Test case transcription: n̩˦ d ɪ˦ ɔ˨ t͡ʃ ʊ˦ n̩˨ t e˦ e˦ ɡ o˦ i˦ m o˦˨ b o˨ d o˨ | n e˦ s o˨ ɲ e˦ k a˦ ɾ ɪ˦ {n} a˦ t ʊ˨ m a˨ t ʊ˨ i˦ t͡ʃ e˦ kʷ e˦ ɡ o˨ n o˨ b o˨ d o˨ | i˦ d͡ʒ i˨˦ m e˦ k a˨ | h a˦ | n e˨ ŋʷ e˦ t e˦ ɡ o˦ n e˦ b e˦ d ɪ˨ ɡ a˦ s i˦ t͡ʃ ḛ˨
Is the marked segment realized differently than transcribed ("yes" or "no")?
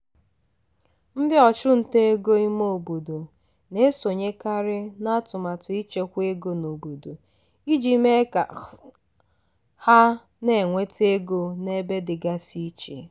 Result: no